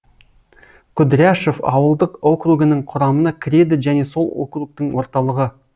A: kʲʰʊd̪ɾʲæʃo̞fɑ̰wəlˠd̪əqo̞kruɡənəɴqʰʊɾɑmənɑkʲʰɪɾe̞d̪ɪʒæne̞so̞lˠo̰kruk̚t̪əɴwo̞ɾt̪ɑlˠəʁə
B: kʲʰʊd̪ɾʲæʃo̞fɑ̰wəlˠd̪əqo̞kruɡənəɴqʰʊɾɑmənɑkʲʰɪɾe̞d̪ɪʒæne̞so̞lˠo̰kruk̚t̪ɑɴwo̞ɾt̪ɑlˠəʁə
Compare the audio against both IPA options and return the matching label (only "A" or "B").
A